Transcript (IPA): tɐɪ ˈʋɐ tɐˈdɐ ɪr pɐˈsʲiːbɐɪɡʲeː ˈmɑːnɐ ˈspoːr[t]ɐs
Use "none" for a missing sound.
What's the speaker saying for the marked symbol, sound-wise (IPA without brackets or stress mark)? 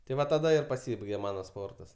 t